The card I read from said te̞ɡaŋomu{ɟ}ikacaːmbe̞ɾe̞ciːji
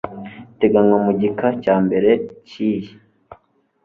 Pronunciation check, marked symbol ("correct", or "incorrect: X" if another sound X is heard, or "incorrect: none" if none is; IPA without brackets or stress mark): correct